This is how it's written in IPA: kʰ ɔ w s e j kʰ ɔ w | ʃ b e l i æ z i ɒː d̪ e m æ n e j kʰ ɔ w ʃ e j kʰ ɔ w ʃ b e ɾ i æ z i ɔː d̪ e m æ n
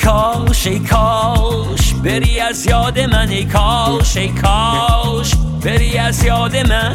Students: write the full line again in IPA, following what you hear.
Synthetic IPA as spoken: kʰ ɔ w ʃ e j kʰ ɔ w | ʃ b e ɾ i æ z j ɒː d̪ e m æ n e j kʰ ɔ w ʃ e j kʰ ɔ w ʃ b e ɾ i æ z j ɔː d̪ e m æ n